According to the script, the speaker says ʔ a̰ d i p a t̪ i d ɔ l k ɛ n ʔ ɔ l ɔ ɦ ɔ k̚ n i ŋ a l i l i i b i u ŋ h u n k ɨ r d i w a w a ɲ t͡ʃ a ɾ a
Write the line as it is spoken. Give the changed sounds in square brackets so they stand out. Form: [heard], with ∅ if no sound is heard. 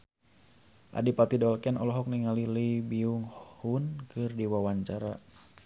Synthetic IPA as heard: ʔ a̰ d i p a t̪ i d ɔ l k ɛ n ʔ ɔ l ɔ ɦ ɔ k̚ n i ŋ a l i l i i b i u ŋ h u n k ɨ r d i w a w a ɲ t͡ʃ a ɾ a